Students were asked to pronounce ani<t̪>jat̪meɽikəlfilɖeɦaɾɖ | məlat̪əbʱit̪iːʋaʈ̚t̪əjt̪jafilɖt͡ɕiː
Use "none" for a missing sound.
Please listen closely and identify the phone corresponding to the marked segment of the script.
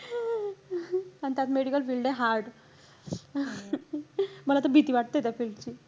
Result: t̪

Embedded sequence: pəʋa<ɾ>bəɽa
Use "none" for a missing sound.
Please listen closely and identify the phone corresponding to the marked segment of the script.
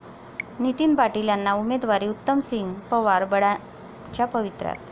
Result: ɾ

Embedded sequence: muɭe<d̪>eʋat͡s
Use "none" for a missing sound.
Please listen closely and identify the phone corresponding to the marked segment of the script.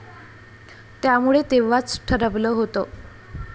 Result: t̪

